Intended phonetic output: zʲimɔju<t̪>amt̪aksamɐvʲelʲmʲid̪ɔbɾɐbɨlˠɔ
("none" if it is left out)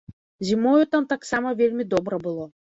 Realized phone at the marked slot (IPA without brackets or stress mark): t̪